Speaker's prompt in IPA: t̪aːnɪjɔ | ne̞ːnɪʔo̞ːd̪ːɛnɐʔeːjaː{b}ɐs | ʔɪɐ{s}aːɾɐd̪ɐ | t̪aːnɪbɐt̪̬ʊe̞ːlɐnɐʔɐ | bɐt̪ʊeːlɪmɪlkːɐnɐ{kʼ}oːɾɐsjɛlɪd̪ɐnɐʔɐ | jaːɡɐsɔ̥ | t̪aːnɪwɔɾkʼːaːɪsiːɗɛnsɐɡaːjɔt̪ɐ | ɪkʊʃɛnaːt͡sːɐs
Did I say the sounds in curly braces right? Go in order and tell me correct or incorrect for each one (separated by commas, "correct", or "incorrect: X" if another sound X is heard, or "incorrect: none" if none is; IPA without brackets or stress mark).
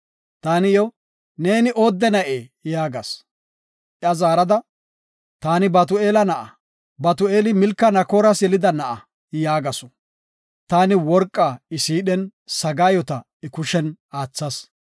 incorrect: ɡ, incorrect: z, incorrect: k